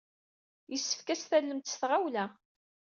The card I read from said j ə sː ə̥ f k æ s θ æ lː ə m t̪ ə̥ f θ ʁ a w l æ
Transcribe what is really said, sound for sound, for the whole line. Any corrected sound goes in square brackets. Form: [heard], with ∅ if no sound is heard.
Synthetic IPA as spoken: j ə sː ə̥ f k æ s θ æ lː ə m t̪ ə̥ [s] θ ʁ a w l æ